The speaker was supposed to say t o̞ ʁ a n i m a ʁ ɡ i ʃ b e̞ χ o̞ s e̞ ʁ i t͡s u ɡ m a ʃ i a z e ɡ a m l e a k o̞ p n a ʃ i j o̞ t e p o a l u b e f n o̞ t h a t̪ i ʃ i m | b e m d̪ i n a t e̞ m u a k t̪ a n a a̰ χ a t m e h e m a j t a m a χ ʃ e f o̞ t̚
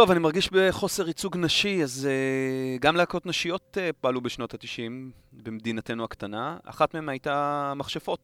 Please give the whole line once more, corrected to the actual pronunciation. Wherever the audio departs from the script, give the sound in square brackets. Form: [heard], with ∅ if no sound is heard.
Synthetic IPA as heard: t o̞ [v] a n i m a ʁ ɡ i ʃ b e̞ χ o̞ s e̞ ʁ i t͡s u ɡ [n] a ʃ i a z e ɡ a m l e a k o̞ [t] n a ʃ i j o̞ t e p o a l u b e [ʃ] n o̞ t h a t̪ i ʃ i m | b e m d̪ i n a t e̞ [n] u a k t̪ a n a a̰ χ a t m e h e m a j t a m a χ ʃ e f o̞ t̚